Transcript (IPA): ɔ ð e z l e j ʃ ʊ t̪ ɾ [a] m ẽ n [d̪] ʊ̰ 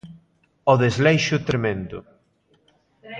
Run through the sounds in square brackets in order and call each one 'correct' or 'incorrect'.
incorrect: e, correct

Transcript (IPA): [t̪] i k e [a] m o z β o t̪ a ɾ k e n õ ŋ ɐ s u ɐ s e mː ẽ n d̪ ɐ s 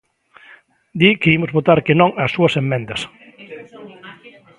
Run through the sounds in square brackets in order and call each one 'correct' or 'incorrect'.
incorrect: d̪, incorrect: i

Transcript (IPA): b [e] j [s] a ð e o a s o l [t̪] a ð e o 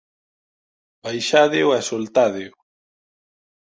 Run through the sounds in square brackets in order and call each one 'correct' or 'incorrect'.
incorrect: a, incorrect: ʃ, correct

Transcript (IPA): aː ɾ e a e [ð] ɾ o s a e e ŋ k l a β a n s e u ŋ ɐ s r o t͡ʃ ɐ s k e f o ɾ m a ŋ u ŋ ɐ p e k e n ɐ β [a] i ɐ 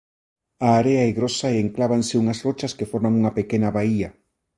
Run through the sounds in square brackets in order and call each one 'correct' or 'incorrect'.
incorrect: ɣ, correct

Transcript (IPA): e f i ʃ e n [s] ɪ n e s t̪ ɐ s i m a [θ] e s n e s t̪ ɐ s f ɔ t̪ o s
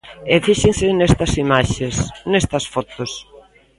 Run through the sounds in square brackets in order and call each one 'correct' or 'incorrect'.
correct, incorrect: ʃ

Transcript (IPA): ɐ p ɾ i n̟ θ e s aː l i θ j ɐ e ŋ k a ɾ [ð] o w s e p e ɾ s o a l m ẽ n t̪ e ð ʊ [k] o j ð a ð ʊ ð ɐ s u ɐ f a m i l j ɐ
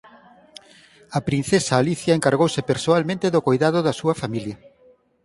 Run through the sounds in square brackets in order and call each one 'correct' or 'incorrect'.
incorrect: ɣ, correct

